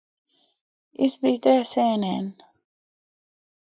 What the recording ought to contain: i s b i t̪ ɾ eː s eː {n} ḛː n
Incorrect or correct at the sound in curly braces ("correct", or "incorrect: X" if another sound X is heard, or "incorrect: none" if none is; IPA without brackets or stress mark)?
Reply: correct